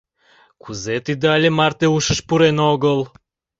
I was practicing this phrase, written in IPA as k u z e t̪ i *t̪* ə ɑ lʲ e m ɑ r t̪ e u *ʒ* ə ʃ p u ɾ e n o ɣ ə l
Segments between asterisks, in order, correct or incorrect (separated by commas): incorrect, incorrect